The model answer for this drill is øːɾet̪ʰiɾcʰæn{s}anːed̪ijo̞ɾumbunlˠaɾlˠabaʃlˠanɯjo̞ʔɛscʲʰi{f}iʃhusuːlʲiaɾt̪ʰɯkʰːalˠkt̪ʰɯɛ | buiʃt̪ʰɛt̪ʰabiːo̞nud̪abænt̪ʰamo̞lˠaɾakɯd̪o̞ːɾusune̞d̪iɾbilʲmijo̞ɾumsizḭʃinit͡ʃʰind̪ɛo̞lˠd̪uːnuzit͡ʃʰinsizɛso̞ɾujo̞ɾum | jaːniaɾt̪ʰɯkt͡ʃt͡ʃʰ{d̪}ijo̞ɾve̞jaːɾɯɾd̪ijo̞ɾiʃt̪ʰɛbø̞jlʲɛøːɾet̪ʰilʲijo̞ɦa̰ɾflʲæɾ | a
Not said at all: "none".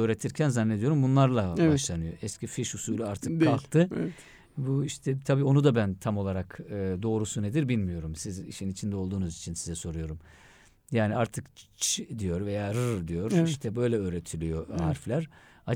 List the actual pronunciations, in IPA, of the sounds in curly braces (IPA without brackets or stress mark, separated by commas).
z, f, d̪